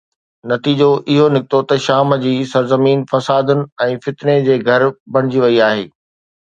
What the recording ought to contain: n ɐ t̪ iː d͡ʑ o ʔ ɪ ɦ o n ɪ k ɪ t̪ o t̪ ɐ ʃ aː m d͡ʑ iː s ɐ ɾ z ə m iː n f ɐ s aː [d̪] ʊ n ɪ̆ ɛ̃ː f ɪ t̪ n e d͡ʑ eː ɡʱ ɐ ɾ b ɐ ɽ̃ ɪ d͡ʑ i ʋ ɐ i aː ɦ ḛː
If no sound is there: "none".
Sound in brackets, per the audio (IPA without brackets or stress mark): d̪